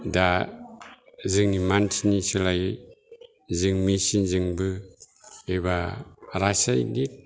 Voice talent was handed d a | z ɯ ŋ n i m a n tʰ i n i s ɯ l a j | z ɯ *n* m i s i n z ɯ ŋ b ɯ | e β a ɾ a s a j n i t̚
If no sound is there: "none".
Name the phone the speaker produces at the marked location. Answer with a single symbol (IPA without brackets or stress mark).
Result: ŋ